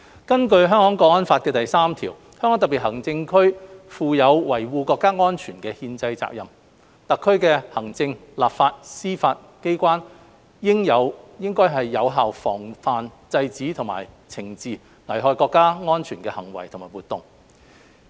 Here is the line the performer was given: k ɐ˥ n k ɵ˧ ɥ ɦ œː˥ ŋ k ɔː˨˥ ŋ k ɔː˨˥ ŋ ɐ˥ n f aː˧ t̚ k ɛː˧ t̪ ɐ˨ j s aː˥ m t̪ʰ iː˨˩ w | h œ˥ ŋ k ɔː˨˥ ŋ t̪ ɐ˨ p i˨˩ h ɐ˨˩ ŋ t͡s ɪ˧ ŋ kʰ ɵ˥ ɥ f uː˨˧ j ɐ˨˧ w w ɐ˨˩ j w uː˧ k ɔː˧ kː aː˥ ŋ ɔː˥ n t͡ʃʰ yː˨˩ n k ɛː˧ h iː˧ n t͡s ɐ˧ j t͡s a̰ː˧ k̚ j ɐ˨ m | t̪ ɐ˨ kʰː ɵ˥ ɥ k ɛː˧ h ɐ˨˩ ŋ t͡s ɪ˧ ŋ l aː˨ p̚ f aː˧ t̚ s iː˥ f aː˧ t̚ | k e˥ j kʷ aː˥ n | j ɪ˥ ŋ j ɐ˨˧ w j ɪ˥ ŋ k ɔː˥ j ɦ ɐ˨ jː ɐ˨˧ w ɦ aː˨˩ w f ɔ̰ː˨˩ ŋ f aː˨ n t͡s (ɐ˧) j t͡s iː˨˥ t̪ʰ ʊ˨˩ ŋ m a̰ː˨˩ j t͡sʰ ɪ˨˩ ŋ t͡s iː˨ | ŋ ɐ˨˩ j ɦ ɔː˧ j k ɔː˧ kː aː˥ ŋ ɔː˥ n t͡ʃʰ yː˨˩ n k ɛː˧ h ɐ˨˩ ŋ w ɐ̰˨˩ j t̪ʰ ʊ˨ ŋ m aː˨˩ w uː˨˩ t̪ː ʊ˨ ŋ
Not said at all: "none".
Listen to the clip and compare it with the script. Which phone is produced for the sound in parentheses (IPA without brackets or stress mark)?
ɐ˧